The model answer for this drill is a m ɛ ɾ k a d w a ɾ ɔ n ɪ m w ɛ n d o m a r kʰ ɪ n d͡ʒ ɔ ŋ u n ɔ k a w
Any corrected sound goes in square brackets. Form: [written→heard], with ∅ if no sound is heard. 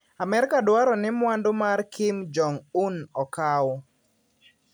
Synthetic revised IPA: a m ɛ ɾ k a d w a ɾ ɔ n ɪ m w [ɛ→a] n d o m a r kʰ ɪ [n→m] d͡ʒ ɔ ŋ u n ɔ k a w